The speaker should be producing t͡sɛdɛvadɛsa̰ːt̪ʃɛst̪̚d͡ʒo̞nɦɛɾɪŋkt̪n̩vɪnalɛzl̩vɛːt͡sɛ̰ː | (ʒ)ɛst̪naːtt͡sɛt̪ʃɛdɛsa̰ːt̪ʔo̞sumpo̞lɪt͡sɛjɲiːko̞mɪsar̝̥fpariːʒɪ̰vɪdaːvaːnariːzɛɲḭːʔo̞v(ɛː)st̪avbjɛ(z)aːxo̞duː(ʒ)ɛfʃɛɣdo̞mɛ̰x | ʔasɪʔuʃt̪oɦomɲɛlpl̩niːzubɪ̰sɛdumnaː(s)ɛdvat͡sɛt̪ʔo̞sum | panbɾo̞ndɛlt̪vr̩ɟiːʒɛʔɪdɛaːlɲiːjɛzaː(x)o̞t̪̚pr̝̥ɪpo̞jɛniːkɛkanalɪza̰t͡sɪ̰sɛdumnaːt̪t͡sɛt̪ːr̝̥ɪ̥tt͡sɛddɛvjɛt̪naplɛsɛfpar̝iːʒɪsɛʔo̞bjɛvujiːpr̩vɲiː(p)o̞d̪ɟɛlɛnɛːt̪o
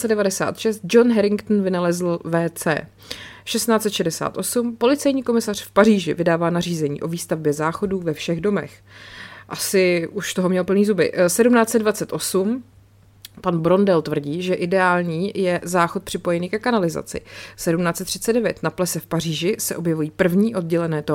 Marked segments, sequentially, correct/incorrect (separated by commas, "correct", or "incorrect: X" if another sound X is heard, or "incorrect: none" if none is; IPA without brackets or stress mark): incorrect: ʃ, incorrect: iː, correct, incorrect: v, incorrect: t͡s, correct, incorrect: ʔ